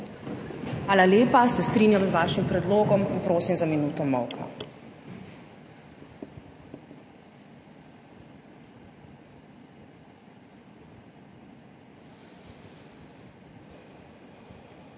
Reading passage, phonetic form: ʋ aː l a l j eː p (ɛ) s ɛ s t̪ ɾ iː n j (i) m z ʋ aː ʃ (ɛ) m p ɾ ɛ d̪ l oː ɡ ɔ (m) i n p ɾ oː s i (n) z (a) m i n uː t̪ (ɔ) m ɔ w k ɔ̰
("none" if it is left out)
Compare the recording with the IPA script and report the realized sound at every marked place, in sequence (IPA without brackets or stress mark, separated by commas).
a, a, i, m, m, a, ɔ